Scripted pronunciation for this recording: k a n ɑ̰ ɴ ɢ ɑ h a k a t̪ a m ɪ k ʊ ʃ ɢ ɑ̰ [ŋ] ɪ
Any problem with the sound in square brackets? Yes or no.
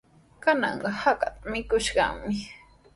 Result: yes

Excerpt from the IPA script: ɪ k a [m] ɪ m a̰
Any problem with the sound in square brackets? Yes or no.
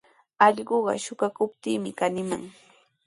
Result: yes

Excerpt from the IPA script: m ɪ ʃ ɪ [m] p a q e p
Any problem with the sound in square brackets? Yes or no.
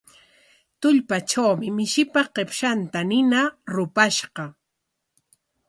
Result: yes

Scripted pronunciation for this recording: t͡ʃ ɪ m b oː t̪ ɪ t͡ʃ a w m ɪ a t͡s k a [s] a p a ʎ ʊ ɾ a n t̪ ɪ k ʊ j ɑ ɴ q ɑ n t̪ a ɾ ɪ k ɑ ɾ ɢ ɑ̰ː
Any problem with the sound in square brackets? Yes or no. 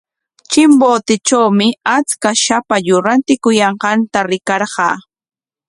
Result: yes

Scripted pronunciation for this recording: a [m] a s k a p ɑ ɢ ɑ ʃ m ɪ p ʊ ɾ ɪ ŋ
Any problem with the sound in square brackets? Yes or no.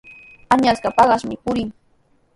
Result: yes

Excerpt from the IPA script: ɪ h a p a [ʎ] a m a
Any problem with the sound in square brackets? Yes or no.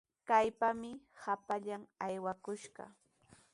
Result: no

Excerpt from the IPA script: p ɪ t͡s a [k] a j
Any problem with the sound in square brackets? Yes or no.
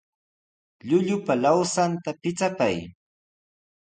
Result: yes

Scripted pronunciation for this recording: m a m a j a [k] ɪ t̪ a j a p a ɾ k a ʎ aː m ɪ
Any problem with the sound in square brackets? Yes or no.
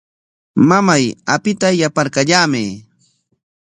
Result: yes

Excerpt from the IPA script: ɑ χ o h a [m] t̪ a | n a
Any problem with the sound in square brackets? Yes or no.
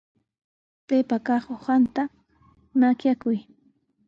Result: yes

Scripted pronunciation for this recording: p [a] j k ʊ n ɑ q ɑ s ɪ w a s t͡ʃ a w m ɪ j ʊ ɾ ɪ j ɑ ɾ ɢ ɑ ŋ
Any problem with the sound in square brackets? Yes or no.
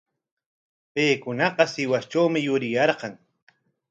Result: yes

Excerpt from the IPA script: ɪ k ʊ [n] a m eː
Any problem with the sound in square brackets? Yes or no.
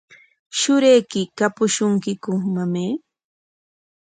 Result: yes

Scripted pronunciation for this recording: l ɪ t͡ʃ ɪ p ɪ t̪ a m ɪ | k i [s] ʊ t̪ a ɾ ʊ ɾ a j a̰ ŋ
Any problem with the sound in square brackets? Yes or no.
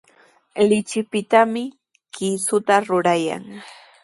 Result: no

